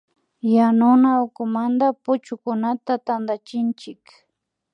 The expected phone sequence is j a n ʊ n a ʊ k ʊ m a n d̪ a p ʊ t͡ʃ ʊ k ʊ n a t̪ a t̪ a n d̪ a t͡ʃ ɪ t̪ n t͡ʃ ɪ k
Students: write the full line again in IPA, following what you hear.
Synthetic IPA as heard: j a n ʊ n a ʊ k ʊ m a n d̪ a p ʊ t͡ʃ ʊ k ʊ n a t̪ a t̪ a n d̪ a t͡ʃ ɪ n t͡ʃ ɪ k